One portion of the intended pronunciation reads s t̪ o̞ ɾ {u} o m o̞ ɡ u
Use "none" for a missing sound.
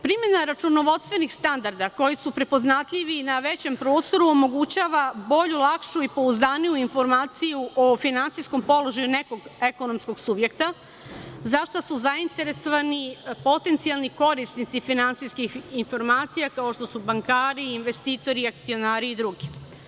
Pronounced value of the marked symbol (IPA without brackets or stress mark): u